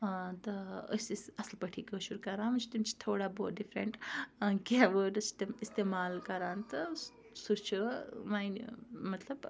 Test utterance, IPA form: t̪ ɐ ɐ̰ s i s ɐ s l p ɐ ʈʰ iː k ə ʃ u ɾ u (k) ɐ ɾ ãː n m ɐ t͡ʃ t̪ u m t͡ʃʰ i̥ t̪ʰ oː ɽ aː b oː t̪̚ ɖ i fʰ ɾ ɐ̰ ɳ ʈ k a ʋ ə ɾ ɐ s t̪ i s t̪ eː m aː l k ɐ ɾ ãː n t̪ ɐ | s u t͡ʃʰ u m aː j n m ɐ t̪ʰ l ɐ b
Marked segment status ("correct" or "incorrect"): correct